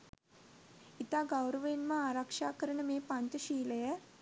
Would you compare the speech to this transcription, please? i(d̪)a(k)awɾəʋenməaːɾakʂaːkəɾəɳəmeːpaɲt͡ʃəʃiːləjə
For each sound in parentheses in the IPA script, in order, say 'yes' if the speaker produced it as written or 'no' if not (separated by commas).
no, no